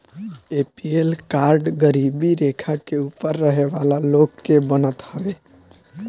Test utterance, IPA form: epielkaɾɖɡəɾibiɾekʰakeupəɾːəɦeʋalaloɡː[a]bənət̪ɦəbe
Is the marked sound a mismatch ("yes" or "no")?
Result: yes